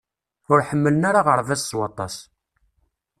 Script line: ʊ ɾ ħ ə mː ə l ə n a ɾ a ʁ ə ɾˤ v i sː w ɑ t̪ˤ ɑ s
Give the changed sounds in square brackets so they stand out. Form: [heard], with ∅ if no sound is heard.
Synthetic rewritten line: ʊ ɾ ħ ə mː ə l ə n a ɾ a ʁ ə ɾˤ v [æ] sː w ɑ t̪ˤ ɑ s